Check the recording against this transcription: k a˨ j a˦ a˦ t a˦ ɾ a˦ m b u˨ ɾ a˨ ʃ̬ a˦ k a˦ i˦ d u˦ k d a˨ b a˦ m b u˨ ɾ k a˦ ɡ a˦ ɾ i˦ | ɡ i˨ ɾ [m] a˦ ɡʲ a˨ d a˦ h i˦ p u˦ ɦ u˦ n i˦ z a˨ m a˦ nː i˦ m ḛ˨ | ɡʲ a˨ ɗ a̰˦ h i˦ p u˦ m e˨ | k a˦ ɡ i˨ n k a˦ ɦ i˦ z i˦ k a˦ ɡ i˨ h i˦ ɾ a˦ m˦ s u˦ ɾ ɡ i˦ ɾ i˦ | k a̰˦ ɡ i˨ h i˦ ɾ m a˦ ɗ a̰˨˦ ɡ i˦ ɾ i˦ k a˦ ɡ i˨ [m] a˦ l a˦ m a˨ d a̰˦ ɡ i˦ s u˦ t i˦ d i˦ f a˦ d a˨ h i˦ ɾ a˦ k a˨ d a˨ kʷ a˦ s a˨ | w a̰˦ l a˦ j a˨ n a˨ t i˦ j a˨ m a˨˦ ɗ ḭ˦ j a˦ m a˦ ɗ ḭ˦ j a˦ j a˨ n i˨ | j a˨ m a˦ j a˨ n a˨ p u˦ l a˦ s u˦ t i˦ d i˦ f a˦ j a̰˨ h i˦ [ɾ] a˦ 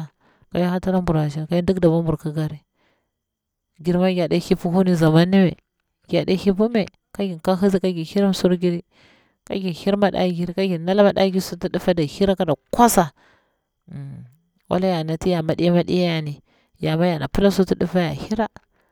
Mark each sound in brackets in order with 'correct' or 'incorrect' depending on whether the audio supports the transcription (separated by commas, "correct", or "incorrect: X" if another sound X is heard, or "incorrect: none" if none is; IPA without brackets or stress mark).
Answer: correct, incorrect: n, correct